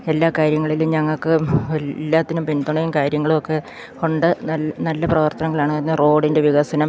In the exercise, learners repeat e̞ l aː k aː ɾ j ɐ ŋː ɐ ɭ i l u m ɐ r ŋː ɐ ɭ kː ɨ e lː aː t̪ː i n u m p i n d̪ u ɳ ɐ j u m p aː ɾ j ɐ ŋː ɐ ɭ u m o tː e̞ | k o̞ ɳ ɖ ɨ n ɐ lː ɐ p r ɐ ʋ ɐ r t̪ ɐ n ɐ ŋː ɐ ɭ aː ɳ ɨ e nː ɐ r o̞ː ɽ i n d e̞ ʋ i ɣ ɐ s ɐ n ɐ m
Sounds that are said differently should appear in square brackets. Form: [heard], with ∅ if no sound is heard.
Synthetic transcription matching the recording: e̞ [lː] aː k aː ɾ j ɐ ŋː ɐ ɭ i l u [ɲ] ɐ [∅] ŋː ɐ ɭ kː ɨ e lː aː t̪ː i n u m p i n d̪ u ɳ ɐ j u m [k] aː ɾ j ɐ ŋː ɐ ɭ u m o [kː] e̞ | k o̞ ɳ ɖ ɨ n ɐ lː ɐ p r ɐ ʋ ɐ r t̪ ɐ n ɐ ŋː ɐ ɭ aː ɳ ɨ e nː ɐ r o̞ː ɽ i n d e̞ ʋ i ɣ ɐ s ɐ n ɐ m